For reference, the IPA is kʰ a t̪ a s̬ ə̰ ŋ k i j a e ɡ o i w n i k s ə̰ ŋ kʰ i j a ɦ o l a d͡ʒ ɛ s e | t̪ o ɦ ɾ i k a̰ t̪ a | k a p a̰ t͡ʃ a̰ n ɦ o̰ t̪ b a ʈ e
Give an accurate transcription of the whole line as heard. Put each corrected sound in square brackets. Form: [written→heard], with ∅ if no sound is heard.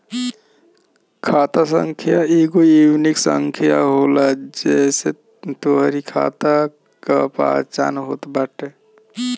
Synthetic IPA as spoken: kʰ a t̪ a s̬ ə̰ ŋ [k→kʰ] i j a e ɡ o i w n i k s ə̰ ŋ kʰ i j a ɦ o l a d͡ʒ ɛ s e | t̪ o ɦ ɾ i [k→kʰ] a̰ t̪ a | k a p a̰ t͡ʃ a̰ n ɦ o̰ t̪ b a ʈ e